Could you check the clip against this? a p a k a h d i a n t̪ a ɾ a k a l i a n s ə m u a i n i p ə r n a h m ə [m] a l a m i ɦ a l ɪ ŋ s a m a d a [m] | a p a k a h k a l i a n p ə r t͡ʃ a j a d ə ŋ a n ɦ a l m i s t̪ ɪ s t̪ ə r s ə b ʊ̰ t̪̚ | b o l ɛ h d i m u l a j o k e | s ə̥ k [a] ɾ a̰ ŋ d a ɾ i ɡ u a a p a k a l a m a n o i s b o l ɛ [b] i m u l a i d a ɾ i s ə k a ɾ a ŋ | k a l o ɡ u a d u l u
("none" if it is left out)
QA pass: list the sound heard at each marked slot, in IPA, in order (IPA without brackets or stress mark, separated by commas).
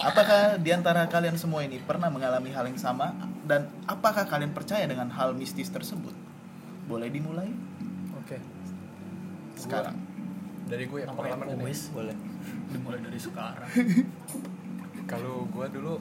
ŋ, n, a, d